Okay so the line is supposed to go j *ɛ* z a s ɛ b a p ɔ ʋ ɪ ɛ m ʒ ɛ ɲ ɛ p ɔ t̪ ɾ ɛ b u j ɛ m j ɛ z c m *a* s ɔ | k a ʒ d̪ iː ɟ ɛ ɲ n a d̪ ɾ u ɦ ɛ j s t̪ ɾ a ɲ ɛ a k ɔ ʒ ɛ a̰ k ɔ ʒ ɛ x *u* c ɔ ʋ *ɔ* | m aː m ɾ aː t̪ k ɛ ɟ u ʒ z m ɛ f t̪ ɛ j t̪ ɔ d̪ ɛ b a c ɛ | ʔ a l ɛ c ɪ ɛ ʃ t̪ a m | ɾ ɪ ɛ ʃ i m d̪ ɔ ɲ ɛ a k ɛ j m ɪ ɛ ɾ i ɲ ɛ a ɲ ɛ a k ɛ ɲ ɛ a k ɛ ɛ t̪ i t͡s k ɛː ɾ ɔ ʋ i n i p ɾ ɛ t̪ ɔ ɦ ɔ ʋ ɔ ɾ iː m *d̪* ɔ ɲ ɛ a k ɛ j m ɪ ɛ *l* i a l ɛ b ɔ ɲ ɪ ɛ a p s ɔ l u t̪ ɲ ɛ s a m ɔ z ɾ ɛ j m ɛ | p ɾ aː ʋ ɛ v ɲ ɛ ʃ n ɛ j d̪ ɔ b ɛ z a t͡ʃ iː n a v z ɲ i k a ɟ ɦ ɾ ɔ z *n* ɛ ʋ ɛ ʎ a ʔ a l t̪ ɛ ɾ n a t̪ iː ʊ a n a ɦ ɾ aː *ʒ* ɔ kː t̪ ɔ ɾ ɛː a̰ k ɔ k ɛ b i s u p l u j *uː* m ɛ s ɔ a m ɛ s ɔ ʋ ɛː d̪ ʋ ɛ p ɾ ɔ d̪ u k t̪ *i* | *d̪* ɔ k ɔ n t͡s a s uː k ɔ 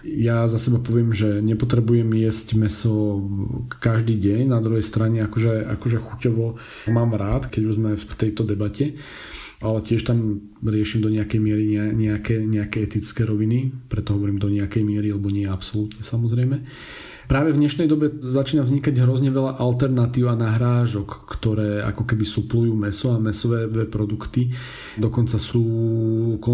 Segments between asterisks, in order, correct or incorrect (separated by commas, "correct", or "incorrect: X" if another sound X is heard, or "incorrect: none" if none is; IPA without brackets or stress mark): incorrect: a, incorrect: ɛ, correct, correct, correct, incorrect: ɾ, incorrect: ɲ, correct, correct, correct, correct